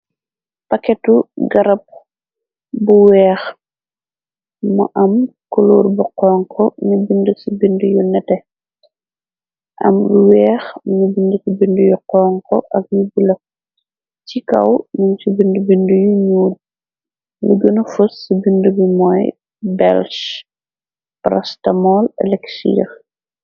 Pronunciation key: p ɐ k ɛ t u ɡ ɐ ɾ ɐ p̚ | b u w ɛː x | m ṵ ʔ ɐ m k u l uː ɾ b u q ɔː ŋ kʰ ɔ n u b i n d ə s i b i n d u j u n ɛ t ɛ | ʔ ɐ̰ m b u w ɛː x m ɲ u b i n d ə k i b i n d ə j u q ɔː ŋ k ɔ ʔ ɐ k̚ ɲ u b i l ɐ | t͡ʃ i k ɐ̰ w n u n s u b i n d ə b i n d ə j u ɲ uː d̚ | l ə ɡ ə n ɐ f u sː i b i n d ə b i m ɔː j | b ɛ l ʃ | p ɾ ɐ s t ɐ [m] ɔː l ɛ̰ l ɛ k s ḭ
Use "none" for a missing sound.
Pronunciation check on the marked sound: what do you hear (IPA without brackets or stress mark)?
m